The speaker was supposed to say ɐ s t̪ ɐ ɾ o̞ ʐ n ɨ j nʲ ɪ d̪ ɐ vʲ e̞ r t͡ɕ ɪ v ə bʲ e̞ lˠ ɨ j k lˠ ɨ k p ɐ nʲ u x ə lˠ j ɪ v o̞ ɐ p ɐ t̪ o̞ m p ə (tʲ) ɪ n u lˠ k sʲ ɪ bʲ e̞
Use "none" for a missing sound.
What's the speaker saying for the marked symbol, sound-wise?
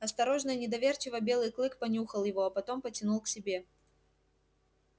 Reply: tʲ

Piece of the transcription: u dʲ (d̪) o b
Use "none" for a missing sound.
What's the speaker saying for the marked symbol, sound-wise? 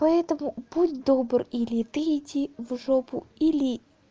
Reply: d̪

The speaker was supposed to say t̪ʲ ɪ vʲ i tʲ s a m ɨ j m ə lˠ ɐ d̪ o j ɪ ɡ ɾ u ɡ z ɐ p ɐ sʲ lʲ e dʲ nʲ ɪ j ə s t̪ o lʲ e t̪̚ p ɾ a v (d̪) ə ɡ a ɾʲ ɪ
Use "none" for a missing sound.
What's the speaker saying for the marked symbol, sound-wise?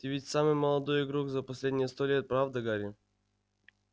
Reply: d̪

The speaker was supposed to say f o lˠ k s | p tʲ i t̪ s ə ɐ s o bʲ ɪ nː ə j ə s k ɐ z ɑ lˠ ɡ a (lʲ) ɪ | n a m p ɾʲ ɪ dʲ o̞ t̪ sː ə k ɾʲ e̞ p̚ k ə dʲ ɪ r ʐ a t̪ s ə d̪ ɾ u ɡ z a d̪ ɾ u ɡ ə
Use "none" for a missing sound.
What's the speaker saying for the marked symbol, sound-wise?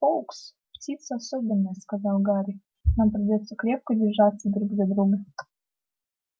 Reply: ɾʲ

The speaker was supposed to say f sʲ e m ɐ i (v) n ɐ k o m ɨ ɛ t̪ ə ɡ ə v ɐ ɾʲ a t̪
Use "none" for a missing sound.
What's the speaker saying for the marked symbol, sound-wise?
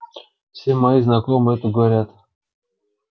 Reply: z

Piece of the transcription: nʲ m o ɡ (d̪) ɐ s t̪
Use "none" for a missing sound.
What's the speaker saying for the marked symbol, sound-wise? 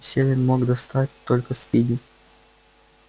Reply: d̪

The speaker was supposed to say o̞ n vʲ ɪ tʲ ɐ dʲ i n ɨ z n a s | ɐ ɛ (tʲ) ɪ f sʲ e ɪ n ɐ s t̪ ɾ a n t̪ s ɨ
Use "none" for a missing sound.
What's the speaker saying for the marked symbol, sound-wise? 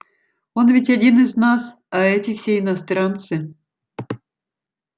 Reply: tʲ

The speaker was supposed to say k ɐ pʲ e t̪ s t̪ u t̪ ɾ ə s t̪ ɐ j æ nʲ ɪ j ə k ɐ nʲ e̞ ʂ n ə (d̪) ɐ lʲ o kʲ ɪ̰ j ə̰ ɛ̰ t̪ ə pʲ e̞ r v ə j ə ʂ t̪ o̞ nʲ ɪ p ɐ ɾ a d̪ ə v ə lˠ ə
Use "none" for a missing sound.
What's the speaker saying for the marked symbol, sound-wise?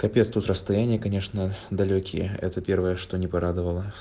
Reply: d̪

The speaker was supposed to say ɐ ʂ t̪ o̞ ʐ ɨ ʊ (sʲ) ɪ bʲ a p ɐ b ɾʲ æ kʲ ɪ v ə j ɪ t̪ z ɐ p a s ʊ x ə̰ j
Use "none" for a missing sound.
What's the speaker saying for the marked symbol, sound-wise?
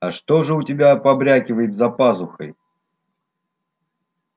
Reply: tʲ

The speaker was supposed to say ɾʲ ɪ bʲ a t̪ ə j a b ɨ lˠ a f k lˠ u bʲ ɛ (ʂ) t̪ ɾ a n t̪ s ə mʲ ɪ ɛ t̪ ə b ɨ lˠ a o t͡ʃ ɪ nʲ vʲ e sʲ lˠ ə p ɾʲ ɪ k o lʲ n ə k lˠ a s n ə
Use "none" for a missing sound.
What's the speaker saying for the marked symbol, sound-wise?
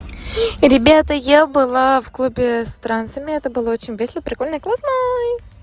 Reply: s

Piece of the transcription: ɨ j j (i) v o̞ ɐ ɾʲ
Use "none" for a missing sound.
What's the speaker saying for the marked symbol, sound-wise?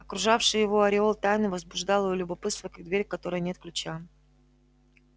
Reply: ɪ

